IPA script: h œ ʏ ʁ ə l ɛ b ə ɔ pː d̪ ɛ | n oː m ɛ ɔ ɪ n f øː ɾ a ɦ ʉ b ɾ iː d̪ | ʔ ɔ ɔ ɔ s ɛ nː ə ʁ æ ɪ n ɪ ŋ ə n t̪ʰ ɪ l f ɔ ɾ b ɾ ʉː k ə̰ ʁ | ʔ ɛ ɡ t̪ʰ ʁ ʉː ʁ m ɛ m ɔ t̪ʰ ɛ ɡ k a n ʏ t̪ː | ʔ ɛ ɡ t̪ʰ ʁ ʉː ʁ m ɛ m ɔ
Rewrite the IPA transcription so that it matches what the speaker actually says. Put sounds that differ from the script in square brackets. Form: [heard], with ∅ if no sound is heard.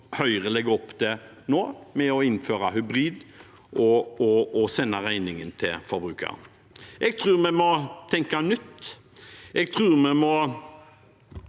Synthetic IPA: h œ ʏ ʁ ə l ɛ [ɡ] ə ɔ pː d̪ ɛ | n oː m ɛ ɔ ɪ n f øː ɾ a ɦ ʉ b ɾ iː d̪ | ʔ ɔ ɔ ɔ s ɛ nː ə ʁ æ ɪ n ɪ ŋ ə n t̪ʰ ɪ l f ɔ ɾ b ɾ ʉː k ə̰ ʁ | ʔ ɛ ɡ t̪ʰ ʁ ʉː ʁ m ɛ m ɔ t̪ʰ ɛ [ŋ] k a n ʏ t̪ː | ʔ ɛ ɡ t̪ʰ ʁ ʉː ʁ m ɛ m ɔ